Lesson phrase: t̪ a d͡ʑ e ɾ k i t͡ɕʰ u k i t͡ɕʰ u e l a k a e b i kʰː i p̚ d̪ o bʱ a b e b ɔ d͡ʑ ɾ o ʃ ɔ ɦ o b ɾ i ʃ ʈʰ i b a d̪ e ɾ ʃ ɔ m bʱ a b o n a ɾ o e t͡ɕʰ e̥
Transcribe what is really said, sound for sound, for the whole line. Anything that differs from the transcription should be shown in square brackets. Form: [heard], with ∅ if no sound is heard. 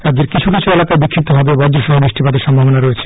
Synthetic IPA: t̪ a d͡ʑ e ɾ k i t͡ɕʰ u k i t͡ɕʰ u e l a k a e b i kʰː i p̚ [t̪] o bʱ a b e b ɔ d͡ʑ ɾ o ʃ ɔ ɦ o b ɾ i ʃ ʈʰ i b a d̪ e ɾ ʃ ɔ m bʱ a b o n a ɾ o e t͡ɕʰ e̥

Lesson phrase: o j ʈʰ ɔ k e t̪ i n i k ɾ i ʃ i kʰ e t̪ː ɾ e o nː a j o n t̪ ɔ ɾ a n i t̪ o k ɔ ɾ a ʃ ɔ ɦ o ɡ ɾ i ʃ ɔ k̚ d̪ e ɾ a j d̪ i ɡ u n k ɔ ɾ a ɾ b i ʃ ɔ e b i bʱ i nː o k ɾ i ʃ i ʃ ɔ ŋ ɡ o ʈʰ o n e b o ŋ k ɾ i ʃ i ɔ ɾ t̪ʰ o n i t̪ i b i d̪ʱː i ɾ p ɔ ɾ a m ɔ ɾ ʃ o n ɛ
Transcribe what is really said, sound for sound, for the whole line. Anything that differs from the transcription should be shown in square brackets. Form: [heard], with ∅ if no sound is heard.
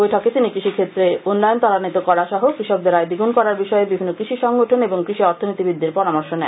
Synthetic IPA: o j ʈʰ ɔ k e t̪ i n i k ɾ i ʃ i kʰ e t̪ː ɾ e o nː a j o n t̪ ɔ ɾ a n i t̪ o k ɔ ɾ a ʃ ɔ ɦ o [k] ɾ i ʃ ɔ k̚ d̪ e ɾ a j d̪ i ɡ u n k ɔ ɾ a ɾ b i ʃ ɔ e b i bʱ i nː o k ɾ i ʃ i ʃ ɔ ŋ ɡ o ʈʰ o n e b o ŋ k ɾ i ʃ i ɔ ɾ t̪ʰ o n i t̪ i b i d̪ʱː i ɾ p ɔ ɾ a m ɔ ɾ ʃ o n ɛ

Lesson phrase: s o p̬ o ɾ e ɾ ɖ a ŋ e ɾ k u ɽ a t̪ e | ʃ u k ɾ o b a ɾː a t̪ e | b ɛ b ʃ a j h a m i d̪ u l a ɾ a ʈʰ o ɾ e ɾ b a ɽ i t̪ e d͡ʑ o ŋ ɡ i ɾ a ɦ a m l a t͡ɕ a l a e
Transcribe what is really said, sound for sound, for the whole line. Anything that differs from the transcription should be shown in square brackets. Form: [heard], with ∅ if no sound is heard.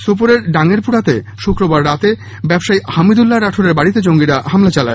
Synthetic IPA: s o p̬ o ɾ e ɾ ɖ a ŋ e ɾ [p] u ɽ a t̪ e | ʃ u k ɾ o b a ɾː a t̪ e | b ɛ b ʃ a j h a m i d̪ u [lː] a ɾ a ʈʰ o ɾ e ɾ b a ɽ i t̪ e d͡ʑ o ŋ ɡ i ɾ a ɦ a m l a t͡ɕ a l a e

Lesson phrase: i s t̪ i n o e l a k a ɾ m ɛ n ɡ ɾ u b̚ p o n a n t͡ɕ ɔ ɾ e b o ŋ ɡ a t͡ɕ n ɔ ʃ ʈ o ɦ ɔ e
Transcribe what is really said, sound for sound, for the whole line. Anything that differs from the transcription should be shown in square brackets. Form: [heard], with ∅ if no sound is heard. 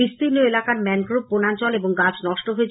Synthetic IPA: i s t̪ i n o e l a k a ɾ m ɛ n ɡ ɾ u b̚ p o n a n t͡ɕ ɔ [l] e b o ŋ ɡ a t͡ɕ n ɔ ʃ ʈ o ɦ [o] e

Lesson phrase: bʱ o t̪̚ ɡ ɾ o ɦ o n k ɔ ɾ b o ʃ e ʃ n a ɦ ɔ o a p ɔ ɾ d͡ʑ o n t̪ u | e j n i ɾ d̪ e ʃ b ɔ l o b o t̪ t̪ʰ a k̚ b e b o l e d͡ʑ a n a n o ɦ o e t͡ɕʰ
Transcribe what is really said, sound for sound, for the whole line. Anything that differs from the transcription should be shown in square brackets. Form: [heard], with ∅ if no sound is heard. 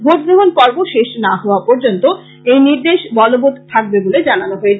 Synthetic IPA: bʱ o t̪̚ ɡ ɾ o ɦ o n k ɔ ɾ b o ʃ e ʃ n a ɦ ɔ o a p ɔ ɾ d͡ʑ o n t̪ [o] | e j n i ɾ d̪ e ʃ b ɔ l o b o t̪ t̪ʰ a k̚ b e b o l e d͡ʑ a n a n o ɦ o e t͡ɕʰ

